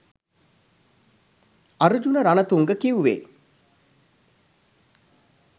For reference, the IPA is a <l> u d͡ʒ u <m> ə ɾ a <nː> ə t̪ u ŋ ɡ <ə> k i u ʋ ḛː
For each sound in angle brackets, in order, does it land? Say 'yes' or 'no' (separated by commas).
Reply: no, no, no, yes